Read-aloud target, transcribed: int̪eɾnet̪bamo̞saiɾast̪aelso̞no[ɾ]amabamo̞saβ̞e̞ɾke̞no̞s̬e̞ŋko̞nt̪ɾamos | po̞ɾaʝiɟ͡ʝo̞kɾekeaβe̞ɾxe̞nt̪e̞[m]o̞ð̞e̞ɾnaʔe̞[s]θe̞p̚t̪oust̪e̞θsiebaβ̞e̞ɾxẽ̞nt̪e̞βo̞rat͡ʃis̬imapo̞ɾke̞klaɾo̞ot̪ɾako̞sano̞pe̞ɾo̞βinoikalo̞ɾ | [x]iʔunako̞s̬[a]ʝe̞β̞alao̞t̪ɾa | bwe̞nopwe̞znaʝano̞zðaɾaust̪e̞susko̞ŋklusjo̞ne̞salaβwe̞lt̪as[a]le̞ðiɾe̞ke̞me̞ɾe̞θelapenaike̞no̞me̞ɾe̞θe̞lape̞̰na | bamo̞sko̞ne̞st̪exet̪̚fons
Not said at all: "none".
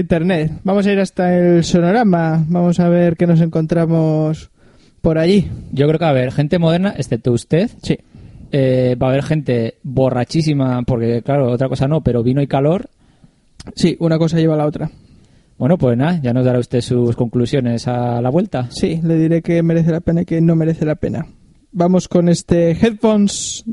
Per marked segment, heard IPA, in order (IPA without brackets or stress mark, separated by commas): ɾ, m, s, s, a, i